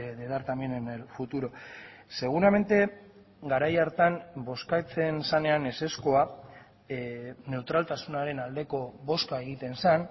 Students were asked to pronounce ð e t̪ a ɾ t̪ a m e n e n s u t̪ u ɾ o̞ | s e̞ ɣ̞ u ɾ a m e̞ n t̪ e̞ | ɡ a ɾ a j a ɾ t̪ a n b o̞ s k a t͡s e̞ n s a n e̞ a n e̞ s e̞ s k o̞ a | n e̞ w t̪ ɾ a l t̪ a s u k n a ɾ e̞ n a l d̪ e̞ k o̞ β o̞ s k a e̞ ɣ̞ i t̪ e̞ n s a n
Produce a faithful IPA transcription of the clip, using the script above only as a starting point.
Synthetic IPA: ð e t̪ a ɾ t̪ a m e n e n f u t̪ u ɾ o̞ | s e̞ ɣ̞ u ɾ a m e̞ n t̪ e̞ | ɡ a ɾ a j a ɾ t̪ a n b o̞ s k a t͡s e̞ n s a n e̞ a n e̞ s e̞ s k o̞ a | n e̞ w t̪ ɾ a l t̪ a s u n a ɾ e̞ n a l d̪ e̞ k o̞ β o̞ s k a e̞ ɣ̞ i t̪ e̞ n s a n